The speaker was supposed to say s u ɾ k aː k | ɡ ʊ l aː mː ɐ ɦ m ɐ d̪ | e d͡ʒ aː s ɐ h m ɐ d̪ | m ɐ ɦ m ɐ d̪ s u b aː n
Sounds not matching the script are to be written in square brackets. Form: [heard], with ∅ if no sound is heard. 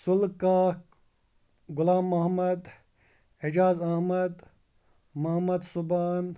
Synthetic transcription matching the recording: s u [l] k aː k | ɡ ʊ l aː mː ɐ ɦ m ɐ d̪ | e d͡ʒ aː [z] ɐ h m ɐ d̪ | m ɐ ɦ m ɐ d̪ s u b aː n